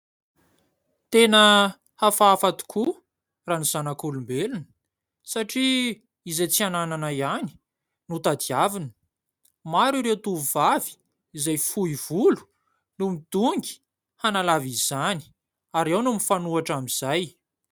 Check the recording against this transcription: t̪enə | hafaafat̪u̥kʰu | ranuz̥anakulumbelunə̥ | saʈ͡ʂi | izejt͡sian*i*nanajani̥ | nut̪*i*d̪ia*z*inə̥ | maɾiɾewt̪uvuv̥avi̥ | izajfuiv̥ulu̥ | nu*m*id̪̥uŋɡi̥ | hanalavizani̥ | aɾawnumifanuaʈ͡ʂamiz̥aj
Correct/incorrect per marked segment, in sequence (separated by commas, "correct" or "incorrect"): incorrect, incorrect, incorrect, correct